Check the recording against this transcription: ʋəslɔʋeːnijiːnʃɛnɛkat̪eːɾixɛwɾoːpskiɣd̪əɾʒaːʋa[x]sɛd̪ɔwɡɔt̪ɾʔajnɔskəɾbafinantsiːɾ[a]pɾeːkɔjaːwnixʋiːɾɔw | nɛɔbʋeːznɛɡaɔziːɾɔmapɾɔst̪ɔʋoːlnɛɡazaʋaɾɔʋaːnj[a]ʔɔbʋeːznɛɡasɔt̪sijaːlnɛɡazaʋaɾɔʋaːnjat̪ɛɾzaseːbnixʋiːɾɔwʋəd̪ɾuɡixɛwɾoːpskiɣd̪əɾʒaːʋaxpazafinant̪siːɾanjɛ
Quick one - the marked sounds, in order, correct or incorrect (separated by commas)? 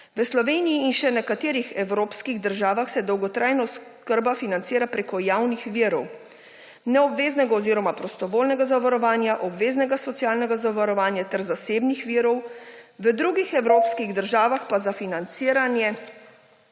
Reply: correct, correct, correct